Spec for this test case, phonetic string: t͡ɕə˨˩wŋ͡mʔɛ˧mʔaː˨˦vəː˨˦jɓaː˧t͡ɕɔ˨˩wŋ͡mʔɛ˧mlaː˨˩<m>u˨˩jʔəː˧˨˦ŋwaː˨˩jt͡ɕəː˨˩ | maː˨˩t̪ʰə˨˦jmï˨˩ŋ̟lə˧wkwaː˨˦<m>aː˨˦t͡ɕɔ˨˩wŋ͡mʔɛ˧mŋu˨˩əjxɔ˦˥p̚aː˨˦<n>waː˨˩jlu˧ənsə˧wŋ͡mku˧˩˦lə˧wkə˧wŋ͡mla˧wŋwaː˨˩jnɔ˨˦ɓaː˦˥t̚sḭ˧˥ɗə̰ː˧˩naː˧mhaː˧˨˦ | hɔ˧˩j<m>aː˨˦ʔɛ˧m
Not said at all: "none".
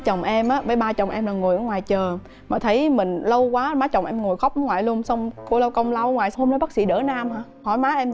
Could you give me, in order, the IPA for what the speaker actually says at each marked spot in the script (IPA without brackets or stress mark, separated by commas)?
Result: ŋ, m, ŋ, m